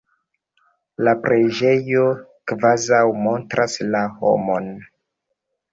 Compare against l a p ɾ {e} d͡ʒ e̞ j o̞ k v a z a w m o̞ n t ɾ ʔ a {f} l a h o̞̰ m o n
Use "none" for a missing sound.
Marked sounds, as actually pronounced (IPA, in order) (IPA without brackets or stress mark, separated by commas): e, s